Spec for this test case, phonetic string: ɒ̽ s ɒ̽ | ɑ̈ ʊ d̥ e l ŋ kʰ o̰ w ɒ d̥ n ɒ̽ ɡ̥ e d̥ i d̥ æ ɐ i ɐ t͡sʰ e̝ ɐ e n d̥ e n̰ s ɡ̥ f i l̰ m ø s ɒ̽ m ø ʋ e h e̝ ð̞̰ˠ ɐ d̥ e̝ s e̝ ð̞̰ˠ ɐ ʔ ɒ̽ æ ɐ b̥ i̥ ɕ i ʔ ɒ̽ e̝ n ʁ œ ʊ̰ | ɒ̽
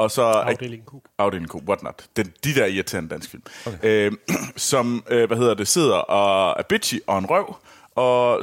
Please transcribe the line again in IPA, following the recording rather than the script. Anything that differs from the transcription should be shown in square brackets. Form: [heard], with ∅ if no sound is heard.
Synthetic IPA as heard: ɒ̽ s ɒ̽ | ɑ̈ ʊ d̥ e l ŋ kʰ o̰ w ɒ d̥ n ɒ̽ [d̥] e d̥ i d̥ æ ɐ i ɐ t͡sʰ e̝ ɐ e n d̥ [æ] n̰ s ɡ̥ f i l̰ m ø s ɒ̽ m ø ʋ [æ] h e̝ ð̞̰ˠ ɐ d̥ e̝ s e̝ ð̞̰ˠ ɐ ʔ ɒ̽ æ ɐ b̥ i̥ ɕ i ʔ ɒ̽ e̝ n ʁ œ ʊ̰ | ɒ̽